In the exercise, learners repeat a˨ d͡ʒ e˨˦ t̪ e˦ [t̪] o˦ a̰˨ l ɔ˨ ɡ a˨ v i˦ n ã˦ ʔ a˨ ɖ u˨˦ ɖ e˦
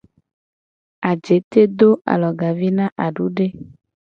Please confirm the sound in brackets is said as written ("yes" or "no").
no